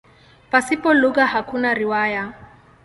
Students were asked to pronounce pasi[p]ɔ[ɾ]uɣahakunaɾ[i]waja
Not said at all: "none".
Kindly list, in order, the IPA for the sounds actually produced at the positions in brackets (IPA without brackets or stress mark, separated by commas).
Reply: p, l, i